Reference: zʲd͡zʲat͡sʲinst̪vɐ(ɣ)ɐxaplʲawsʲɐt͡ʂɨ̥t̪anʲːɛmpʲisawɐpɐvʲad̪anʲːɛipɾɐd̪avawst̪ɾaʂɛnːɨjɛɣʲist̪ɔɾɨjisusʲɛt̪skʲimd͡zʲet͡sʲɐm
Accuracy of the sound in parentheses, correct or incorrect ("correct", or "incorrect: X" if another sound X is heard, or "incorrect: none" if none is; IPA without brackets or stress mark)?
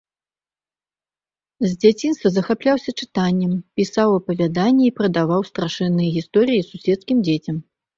incorrect: z